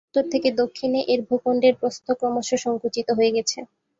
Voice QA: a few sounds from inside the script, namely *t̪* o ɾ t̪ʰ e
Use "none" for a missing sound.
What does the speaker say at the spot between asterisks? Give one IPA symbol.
t̪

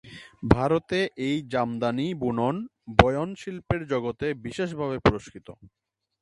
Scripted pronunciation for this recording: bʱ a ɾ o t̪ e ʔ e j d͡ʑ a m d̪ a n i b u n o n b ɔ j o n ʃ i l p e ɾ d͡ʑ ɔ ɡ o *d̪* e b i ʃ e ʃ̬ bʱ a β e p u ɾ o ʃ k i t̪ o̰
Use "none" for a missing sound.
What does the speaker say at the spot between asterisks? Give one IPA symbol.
t̪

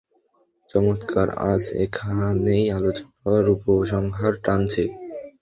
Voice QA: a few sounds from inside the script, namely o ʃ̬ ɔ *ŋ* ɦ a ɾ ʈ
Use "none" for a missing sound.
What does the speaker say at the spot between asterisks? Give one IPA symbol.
ŋ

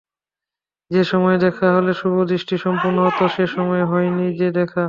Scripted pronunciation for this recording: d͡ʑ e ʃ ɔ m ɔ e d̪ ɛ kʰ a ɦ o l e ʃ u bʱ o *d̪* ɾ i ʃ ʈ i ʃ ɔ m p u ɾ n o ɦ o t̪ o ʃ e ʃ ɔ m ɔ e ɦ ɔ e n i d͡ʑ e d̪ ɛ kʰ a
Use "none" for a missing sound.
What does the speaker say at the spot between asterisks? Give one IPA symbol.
d̪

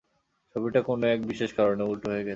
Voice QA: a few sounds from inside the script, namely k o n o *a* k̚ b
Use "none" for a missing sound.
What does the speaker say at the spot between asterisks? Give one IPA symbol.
ɛ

